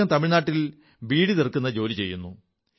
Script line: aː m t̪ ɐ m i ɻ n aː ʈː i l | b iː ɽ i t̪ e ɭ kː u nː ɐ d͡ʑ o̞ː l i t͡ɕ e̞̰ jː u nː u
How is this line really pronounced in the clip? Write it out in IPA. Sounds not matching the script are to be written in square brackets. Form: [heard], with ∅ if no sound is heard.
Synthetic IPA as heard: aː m t̪ ɐ m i ɻ n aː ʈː i l | b iː ɽ i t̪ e [r] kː u nː ɐ d͡ʑ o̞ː l i t͡ɕ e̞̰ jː u nː u